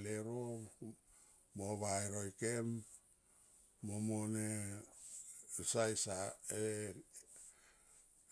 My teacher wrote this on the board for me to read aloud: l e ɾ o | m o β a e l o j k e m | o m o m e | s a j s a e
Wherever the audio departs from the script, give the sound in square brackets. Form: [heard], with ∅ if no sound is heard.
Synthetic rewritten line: l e ɾ o | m o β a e [ɾ] o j k e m | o m o [n] e | s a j s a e